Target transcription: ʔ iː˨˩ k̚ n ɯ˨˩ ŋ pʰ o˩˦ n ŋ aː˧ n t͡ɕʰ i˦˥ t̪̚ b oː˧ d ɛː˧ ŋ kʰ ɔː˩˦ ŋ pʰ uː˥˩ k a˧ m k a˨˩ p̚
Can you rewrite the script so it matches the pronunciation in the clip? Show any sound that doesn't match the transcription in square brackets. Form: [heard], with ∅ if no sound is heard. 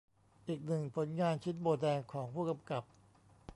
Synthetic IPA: ʔ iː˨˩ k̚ n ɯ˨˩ ŋ pʰ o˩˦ n ŋ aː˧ n t͡ɕʰ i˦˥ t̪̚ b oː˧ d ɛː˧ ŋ kʰ ɔː˩˦ ŋ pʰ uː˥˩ k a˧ m k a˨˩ p̚